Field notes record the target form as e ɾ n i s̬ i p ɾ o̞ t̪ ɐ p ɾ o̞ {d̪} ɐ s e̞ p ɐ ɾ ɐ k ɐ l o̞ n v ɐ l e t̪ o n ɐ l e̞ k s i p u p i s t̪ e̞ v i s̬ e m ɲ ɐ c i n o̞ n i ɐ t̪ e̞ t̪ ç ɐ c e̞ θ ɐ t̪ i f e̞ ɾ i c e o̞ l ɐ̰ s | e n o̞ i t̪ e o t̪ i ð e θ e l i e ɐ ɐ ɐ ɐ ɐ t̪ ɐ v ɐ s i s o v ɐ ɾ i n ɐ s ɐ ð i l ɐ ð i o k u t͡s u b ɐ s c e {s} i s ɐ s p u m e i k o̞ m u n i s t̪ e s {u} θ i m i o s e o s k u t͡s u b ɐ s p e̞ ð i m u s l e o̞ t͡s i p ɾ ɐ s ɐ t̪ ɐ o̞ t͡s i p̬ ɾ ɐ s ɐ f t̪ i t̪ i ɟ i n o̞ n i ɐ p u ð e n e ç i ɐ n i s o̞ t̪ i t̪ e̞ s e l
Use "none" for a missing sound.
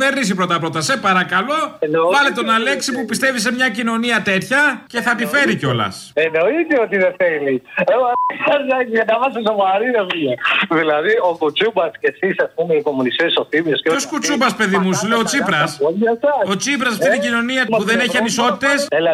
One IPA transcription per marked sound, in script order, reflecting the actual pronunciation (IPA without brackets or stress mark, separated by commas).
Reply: t̪, s, o